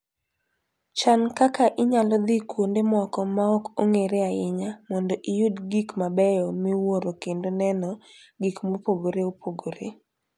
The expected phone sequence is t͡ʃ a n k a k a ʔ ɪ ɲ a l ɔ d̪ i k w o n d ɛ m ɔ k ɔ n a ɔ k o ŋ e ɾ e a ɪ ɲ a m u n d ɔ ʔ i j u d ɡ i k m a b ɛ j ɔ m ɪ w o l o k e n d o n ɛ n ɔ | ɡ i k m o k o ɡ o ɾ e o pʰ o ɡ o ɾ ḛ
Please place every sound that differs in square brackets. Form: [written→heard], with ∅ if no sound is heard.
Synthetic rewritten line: t͡ʃ a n k a k a ʔ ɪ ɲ a l ɔ d̪ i k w o n d [ɛ→e] m ɔ k ɔ [n→m] a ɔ k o ŋ e ɾ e a ɪ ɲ a m [u→ɔ] n d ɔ ʔ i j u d ɡ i k m a b ɛ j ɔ m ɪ w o [l→ɾ] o k e n d o n ɛ n ɔ | ɡ i k m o [k→p] o ɡ o ɾ e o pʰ o ɡ o ɾ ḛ

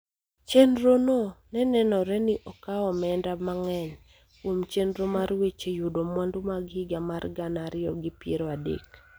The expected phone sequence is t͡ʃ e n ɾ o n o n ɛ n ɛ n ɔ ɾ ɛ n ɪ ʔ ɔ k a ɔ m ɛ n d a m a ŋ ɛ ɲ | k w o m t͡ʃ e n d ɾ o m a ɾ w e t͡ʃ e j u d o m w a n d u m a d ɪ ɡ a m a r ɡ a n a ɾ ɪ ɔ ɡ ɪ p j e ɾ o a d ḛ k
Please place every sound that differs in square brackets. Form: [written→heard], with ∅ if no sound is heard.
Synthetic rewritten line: t͡ʃ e n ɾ o n o n ɛ n ɛ n ɔ ɾ ɛ n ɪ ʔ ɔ k a ɔ m ɛ n d a m a ŋ ɛ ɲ | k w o m t͡ʃ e n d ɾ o m a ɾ w e t͡ʃ e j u d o m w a n d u m a [d→ɡ] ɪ ɡ a m a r ɡ a n a ɾ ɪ ɔ ɡ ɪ p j e ɾ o a d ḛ k

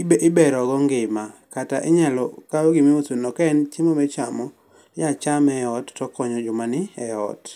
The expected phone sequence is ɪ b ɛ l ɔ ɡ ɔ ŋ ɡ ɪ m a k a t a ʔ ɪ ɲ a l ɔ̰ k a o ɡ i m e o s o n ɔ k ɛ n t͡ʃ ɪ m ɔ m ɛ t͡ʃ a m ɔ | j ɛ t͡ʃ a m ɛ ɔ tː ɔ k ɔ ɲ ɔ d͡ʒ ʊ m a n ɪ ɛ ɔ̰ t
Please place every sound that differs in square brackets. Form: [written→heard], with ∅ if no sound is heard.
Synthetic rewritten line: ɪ b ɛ [l→ɾ] ɔ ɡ ɔ ŋ ɡ ɪ m a k a t a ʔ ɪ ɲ a l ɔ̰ k a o ɡ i m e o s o n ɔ k ɛ n t͡ʃ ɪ m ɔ m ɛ t͡ʃ a m ɔ | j [ɛ→a] t͡ʃ a m ɛ ɔ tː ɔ k ɔ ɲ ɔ d͡ʒ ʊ m a n ɪ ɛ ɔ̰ t

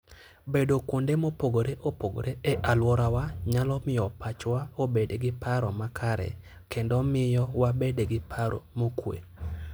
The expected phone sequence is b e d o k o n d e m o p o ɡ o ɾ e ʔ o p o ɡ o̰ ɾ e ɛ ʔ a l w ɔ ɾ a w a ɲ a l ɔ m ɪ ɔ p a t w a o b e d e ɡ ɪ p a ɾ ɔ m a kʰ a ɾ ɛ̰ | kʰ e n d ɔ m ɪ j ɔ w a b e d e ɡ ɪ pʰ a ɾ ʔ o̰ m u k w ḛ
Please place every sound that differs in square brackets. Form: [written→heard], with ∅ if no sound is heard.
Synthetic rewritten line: b e d o k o n d e m o p o ɡ o ɾ e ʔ o p o ɡ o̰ ɾ e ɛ ʔ a l w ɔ ɾ a w a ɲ a l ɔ m ɪ ɔ p a [t→t͡ʃ] w a o b e d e ɡ ɪ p a ɾ ɔ m a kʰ a ɾ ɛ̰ | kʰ e n d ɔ m ɪ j ɔ w a b e d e ɡ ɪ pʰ a ɾ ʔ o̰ m [u→o] k w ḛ

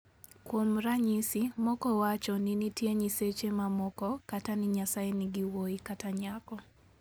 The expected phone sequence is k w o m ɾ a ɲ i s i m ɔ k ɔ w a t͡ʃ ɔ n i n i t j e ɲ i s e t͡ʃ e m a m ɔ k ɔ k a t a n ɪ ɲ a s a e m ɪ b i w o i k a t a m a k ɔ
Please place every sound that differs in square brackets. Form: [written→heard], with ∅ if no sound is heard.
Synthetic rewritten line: k w o m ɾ a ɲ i s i m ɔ k ɔ w a t͡ʃ ɔ n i n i t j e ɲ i s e t͡ʃ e m a m ɔ k ɔ k a t a n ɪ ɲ a s a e [m→n] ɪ [b→ɡ] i w o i k a t a [m→ɲ] a k ɔ

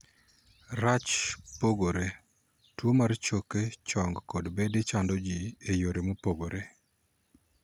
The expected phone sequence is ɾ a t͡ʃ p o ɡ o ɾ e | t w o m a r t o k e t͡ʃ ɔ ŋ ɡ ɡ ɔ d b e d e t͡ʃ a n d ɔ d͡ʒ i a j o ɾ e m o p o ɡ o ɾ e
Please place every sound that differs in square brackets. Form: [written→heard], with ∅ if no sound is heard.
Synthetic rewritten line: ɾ a t͡ʃ p o ɡ o ɾ e | t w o m a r [t→t͡ʃ] o k e t͡ʃ ɔ ŋ ɡ [ɡ→k] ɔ d b e d e t͡ʃ a n d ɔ d͡ʒ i [a→e] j o ɾ e m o p o ɡ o ɾ e

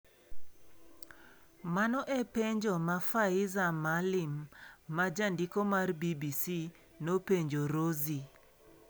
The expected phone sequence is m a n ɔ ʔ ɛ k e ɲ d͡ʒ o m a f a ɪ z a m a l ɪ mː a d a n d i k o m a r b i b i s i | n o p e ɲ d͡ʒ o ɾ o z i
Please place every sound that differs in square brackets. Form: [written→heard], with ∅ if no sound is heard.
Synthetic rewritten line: m a n ɔ ʔ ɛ [k→p] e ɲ d͡ʒ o m a f a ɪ z a m a l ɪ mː a [d→d͡ʒ] a n d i k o m a r b i b i s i | n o p e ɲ d͡ʒ o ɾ o z i

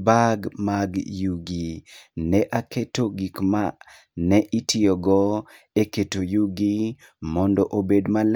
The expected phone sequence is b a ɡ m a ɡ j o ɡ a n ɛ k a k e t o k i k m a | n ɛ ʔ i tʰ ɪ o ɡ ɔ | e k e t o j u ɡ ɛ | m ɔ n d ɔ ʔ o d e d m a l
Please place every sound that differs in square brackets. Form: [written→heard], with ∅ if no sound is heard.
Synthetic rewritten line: b a ɡ m a ɡ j [o→u] ɡ [a→i] n ɛ [k→ʔ] a k e t o [k→ɡ] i k m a | n ɛ ʔ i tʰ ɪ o ɡ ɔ | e k e t o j u ɡ [ɛ→i] | m ɔ n d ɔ ʔ o [d→b] e d m a l

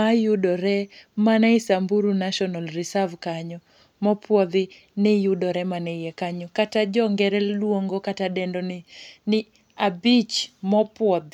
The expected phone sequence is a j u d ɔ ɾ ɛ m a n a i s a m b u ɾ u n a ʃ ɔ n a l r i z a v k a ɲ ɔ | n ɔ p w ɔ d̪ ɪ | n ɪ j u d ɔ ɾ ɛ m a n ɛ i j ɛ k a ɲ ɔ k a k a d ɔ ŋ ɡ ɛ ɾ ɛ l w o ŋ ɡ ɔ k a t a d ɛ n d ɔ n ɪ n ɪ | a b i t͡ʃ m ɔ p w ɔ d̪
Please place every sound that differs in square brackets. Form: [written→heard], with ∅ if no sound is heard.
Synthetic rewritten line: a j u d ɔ ɾ ɛ m a n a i s a m b u ɾ u n a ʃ ɔ n a l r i [z→s] a v k a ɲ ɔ | [n→m] ɔ p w ɔ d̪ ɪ | n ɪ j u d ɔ ɾ ɛ m a n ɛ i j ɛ k a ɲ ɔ k a [k→t] a [d→d͡ʒ] ɔ ŋ ɡ ɛ ɾ ɛ l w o ŋ ɡ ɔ k a t a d ɛ n d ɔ n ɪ n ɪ | a b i t͡ʃ m ɔ p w ɔ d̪

